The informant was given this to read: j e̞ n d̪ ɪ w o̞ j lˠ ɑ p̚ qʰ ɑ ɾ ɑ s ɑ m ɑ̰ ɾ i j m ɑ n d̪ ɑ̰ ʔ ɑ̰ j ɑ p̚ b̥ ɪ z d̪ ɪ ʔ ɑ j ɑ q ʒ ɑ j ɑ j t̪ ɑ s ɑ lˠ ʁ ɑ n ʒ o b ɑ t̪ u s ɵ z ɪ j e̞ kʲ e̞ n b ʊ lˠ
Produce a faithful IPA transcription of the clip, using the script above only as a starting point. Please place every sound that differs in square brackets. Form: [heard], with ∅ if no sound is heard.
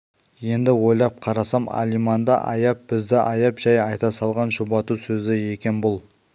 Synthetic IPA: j e̞ n d̪ ɪ w o̞ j lˠ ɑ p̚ qʰ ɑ ɾ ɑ s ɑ m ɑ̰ [l] i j m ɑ n d̪ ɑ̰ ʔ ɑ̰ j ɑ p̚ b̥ ɪ z d̪ ɪ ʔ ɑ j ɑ [p] ʒ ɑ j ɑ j t̪ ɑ s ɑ lˠ ʁ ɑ n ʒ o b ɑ t̪ u s ɵ z ɪ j e̞ kʲ e̞ n b ʊ lˠ